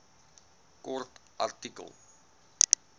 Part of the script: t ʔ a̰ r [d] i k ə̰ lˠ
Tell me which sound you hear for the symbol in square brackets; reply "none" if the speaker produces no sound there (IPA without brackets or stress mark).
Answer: t